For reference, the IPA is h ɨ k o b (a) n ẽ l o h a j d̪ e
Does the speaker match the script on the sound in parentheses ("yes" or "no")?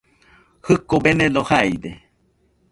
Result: no